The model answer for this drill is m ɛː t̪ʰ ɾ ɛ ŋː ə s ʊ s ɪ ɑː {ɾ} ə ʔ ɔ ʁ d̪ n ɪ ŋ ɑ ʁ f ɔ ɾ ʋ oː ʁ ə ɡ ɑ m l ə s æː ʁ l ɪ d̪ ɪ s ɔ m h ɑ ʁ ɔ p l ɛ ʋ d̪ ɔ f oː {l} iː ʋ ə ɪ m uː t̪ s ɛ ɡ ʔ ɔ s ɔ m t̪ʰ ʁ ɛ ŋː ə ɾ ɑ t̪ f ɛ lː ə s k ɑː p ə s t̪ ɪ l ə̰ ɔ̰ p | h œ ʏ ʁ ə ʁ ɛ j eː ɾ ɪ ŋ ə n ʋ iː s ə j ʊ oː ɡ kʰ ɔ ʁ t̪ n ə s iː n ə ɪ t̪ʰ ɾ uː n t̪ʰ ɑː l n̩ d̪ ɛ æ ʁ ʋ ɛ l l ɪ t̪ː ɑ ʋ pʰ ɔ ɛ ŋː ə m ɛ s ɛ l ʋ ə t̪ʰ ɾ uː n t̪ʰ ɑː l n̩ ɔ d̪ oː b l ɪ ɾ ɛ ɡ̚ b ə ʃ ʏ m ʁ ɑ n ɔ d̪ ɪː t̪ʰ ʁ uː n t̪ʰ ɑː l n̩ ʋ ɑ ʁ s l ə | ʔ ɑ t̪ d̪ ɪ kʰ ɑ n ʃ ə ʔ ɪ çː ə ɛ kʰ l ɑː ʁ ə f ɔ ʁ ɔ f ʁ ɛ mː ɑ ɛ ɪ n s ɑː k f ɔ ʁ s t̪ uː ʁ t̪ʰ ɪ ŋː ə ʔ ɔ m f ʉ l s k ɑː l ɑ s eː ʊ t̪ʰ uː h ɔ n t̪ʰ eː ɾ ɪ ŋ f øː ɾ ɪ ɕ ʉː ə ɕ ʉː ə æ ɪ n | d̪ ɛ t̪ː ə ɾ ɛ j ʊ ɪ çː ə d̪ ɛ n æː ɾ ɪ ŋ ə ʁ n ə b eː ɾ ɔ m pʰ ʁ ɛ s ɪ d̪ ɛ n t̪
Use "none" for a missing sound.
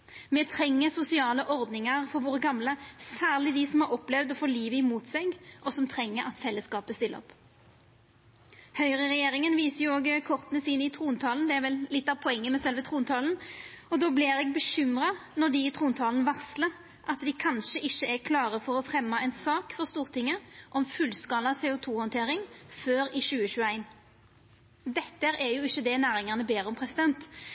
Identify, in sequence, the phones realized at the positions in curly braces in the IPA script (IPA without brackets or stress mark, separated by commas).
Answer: l, l